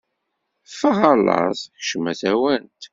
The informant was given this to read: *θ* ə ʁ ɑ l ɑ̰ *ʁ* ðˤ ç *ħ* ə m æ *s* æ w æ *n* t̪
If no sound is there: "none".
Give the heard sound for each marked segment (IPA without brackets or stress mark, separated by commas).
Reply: f, none, ʃ, θ, n